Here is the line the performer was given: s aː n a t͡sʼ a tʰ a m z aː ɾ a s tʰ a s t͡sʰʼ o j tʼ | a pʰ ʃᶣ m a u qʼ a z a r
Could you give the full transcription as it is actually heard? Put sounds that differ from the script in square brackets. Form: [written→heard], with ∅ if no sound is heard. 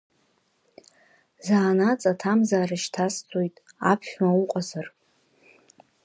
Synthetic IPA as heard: [s→z] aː n a t͡sʼ a tʰ a m z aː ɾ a [s→ʃ] tʰ a s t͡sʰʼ o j tʼ | a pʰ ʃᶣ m a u qʼ a z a r